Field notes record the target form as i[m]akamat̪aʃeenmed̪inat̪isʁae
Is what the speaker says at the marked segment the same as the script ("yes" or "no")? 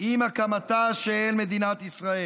yes